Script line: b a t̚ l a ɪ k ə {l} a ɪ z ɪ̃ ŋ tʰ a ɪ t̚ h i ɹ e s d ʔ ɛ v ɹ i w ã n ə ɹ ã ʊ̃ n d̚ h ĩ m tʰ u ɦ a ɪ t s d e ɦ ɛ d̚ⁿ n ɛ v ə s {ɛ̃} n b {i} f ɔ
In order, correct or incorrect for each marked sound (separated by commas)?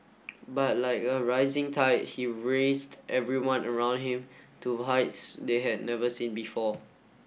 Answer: incorrect, incorrect, correct